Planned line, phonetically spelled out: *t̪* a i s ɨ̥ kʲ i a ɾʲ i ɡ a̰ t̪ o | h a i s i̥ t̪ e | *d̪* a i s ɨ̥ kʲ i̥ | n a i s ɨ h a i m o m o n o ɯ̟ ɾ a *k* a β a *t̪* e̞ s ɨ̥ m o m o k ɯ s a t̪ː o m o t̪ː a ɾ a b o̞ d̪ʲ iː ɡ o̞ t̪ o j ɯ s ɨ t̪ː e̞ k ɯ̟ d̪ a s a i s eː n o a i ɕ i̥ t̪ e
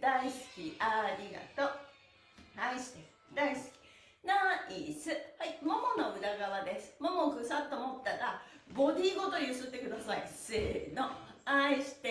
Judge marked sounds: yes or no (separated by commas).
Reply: no, yes, no, no